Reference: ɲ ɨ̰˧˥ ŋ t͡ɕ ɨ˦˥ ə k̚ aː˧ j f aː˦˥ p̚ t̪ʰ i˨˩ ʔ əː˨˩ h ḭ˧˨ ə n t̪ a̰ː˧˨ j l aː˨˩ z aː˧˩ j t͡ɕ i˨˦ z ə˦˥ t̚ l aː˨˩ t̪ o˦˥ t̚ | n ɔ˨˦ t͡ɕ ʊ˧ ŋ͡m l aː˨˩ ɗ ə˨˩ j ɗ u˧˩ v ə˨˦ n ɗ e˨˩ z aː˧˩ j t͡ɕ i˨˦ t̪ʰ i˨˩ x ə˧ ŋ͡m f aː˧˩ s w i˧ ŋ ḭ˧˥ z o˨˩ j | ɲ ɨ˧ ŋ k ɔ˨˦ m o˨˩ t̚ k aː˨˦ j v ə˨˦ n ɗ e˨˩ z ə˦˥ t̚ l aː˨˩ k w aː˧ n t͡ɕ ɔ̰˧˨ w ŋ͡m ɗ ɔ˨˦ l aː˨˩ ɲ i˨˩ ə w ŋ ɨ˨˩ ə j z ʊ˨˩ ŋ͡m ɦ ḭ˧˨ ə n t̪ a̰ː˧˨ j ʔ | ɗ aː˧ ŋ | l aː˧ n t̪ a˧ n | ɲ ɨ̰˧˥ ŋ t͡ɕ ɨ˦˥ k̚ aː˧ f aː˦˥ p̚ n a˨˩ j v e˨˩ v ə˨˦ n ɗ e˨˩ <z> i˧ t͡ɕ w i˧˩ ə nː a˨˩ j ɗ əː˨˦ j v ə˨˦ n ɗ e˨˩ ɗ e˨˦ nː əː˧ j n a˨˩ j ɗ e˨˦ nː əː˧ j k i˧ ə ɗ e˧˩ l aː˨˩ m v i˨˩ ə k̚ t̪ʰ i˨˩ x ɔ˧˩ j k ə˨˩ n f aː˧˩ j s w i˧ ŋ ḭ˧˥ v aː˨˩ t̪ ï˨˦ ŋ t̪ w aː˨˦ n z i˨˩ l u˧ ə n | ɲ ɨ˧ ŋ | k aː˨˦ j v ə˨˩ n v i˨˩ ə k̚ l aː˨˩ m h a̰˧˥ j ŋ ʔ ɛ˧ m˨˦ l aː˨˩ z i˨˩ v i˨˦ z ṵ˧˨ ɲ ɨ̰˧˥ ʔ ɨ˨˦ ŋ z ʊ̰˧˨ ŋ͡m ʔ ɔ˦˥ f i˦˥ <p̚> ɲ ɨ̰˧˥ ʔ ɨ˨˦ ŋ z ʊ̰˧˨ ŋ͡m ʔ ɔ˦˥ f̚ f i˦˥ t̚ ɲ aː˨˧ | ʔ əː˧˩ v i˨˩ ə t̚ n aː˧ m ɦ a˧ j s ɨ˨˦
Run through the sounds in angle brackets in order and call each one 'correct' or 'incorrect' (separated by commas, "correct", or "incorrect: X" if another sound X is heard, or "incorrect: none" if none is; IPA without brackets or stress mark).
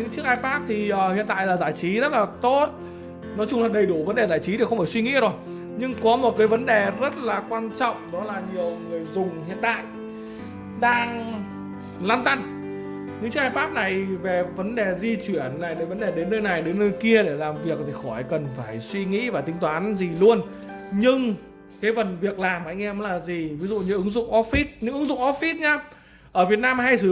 correct, incorrect: t̚